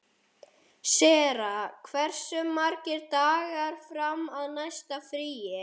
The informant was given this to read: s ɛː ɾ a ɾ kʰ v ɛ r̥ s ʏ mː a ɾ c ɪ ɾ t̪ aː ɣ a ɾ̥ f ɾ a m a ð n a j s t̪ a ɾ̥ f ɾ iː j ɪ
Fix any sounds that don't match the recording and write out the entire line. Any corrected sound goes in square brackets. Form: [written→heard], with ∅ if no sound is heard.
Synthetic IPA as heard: s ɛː ɾ a [ɾ→∅] kʰ v ɛ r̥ s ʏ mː a ɾ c ɪ ɾ t̪ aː ɣ a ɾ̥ f ɾ a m a ð n a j s t̪ a [ɾ̥→∅] f ɾ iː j ɪ